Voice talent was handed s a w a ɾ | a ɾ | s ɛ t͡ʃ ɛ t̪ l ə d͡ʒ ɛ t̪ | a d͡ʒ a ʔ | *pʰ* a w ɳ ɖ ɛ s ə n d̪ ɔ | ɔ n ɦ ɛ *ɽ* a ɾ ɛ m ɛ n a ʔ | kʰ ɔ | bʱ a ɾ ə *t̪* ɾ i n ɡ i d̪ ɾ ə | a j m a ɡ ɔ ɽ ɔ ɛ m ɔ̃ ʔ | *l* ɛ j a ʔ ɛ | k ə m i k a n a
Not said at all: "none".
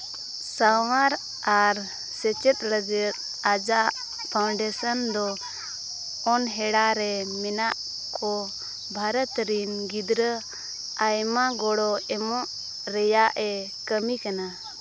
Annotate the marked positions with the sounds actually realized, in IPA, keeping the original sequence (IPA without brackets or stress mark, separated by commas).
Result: pʰ, ɽ, t̪, ɾ